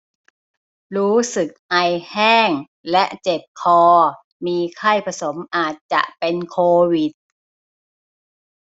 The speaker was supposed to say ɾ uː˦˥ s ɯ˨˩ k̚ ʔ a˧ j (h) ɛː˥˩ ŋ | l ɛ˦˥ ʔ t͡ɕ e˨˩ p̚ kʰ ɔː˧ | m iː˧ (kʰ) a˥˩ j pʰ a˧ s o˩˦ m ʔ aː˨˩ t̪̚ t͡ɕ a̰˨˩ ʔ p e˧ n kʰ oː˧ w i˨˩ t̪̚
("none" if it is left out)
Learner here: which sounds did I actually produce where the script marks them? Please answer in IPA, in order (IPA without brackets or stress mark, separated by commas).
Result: h, kʰ